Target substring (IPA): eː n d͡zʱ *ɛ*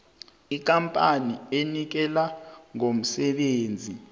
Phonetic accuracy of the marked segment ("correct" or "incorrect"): incorrect